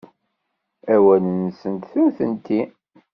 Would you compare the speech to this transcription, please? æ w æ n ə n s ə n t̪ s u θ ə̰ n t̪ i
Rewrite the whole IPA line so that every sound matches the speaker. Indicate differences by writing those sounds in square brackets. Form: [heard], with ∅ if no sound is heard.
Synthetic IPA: æ w æ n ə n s ə n t̪ [θ] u θ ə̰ n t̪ i